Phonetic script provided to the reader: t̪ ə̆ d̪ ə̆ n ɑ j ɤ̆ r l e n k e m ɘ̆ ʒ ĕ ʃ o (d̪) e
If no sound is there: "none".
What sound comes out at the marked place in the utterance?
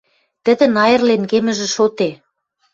t̪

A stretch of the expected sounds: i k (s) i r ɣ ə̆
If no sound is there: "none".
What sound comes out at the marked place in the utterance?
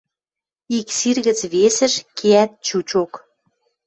s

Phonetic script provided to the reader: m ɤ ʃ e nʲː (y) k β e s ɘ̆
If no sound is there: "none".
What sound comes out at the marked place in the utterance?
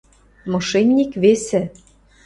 i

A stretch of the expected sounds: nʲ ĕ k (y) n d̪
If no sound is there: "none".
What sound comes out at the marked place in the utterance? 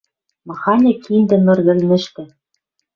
i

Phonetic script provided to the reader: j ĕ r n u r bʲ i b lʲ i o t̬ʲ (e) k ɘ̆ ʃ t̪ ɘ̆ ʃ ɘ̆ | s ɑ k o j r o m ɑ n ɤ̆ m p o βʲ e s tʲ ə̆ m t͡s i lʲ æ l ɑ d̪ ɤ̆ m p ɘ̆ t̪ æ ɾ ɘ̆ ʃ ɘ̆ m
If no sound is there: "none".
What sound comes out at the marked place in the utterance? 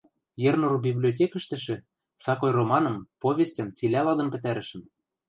e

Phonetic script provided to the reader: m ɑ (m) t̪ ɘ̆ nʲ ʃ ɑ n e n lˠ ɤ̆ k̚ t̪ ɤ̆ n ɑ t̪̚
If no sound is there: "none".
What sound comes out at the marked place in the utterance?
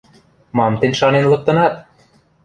m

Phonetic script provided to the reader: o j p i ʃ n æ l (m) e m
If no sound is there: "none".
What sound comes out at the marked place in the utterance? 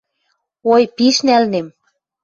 n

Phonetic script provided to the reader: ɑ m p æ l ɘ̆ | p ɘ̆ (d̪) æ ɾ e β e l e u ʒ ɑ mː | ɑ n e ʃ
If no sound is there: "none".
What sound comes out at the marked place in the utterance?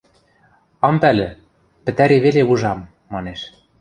t̪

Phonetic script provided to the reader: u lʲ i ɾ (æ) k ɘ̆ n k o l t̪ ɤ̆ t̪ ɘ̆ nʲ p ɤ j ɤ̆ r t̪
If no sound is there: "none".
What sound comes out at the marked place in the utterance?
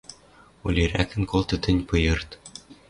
æ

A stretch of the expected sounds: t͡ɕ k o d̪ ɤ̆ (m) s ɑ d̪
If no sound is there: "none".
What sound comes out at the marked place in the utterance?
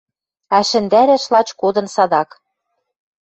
n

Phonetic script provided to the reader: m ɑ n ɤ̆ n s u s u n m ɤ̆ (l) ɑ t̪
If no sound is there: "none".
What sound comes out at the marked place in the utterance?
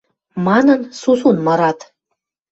ɾ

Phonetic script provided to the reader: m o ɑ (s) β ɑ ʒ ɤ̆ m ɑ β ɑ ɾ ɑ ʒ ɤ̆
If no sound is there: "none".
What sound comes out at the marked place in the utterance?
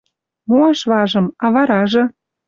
ʃ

